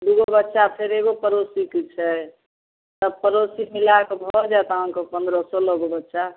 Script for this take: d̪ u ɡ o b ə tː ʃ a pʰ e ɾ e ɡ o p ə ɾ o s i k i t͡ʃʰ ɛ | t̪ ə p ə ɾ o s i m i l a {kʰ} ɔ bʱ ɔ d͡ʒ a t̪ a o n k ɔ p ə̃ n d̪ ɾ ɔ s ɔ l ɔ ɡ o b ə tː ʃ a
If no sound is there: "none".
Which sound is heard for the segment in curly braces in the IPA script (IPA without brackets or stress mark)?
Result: k